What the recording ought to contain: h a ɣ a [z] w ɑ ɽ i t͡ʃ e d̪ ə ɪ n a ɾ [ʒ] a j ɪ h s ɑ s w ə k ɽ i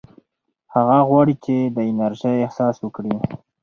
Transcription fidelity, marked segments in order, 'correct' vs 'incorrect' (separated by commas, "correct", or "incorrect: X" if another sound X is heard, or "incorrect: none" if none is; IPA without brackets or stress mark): incorrect: ɣ, correct